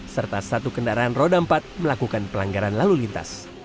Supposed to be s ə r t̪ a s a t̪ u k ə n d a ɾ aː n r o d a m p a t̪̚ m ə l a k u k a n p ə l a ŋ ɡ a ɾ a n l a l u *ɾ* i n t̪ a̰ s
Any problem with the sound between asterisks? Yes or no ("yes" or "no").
yes